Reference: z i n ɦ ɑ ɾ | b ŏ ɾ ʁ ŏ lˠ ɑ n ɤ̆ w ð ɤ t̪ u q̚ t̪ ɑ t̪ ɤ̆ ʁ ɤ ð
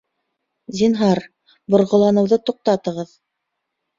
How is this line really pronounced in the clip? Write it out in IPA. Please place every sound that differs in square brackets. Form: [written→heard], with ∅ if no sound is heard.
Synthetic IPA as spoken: z i n ɦ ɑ ɾ | b ŏ ɾ ʁ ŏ lˠ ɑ n ɤ̆ w ð ɤ t̪ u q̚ t̪ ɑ t̪ ɤ̆ ʁ ɤ ð